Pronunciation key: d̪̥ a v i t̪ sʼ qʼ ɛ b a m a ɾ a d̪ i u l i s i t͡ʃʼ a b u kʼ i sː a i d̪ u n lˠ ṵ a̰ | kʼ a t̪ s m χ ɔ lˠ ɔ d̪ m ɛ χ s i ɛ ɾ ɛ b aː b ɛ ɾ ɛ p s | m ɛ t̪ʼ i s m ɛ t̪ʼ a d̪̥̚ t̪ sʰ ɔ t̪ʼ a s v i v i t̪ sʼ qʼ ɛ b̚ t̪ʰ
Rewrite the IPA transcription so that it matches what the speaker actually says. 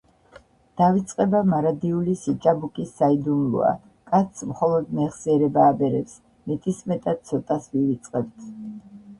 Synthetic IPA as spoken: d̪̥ a v i t̪ sʼ qʼ ɛ b a m a ɾ a d̪ i u l i s i t͡ʃʼ a b u kʼ i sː a i d̪ u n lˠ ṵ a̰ | kʼ a t̪ s m χ ɔ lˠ ɔ d̪ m ɛ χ s i ɛ ɾ ɛ b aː b ɛ ɾ ɛ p s | m ɛ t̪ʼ i s m ɛ t̪ʼ a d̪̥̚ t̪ sʰ ɔ t̪ʼ a s v i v i t̪ sʼ qʼ ɛ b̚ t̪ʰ

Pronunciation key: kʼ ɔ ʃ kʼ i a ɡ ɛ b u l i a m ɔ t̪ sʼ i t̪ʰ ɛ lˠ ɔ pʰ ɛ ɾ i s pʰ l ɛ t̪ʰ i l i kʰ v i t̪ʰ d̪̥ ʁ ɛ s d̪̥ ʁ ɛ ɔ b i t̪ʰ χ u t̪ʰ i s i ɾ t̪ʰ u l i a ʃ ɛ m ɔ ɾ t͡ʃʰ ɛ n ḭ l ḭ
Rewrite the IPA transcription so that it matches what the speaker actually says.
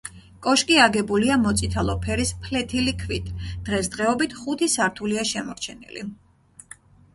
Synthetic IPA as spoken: kʼ ɔ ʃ kʼ i a ɡ ɛ b u l i a m ɔ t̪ sʼ i t̪ʰ a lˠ ɔ pʰ ɛ ɾ i s pʰ l ɛ t̪ʰ i l i kʰ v i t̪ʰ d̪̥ ʁ ɛ s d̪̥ ʁ ɛ ɔ b i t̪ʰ χ u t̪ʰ i s a ɾ t̪ʰ u l i a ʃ ɛ m ɔ ɾ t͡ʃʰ ɛ n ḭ l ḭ

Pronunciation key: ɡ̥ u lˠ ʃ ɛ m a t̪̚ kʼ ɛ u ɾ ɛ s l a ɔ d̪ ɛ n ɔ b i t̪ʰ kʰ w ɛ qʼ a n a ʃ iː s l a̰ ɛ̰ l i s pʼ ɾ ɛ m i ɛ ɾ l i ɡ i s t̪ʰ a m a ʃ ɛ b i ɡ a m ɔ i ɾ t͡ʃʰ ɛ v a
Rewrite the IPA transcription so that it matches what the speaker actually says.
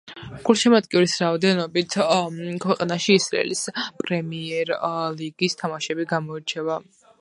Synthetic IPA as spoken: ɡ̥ u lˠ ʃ ɛ m a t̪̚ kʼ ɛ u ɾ i s ɾ a ɔ d̪ ɛ n ɔ b i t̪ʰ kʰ w ɛ qʼ a n a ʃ iː s ɾ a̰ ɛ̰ l i s pʼ ɾ ɛ m i ɛ ɾ l i ɡ i s t̪ʰ a m a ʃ ɛ b i ɡ a m ɔ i ɾ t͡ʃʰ ɛ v a

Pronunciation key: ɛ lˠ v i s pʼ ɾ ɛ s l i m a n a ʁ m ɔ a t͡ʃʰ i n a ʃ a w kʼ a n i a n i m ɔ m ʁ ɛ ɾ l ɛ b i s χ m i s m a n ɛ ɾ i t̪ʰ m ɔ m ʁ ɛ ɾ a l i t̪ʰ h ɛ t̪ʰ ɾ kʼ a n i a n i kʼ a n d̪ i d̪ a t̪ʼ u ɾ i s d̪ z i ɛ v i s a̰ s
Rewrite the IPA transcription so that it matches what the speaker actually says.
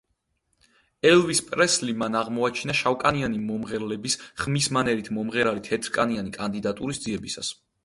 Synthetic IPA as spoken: ɛ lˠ v i s pʼ ɾ ɛ s l i m a n a ʁ m ɔ a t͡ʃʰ i n a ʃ a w kʼ a n i a n i m ɔ m ʁ ɛ ɾ l ɛ b i s χ m i s m a n ɛ ɾ i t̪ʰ m ɔ m ʁ ɛ ɾ a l i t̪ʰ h ɛ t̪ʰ ɾ kʼ a n i a n i kʼ a n d̪ i d̪ a t̪ʼ u ɾ i s d̪ z i ɛ b i s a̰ s

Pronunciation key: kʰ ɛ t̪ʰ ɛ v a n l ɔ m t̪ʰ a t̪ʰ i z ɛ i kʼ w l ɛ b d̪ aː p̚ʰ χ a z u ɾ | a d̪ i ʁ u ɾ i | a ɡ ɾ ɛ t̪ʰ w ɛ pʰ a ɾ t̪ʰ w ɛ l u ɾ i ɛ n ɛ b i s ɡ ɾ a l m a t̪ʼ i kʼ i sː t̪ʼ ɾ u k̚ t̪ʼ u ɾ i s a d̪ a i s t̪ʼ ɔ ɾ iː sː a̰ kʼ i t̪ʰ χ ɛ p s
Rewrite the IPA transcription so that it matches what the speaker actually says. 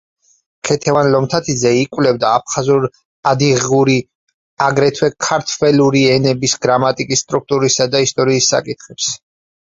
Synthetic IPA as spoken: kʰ ɛ t̪ʰ ɛ v a n l ɔ m t̪ʰ a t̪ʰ i z ɛ i kʼ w l ɛ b d̪ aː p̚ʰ χ a z u ɾ | a d̪ i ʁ u ɾ i | a ɡ ɾ ɛ t̪ʰ w ɛ kʰ a ɾ t̪ʰ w ɛ l u ɾ i ɛ n ɛ b i s ɡ ɾ a m a t̪ʼ i kʼ i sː t̪ʼ ɾ u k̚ t̪ʼ u ɾ i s a d̪ a i s t̪ʼ ɔ ɾ iː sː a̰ kʼ i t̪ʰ χ ɛ p s

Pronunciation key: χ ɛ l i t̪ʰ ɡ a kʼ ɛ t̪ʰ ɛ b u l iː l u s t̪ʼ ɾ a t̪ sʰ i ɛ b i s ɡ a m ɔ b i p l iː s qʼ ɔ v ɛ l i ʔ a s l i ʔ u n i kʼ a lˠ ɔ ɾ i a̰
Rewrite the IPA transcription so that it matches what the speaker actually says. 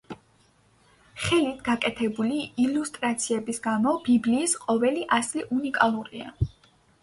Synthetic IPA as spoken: χ ɛ l i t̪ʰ ɡ a kʼ ɛ t̪ʰ ɛ b u l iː l u s t̪ʼ ɾ a t̪ sʰ i ɛ b i s ɡ a m ɔ b i b l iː s qʼ ɔ v ɛ l i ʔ a s l i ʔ u n i kʼ a lˠ u ɾ i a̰

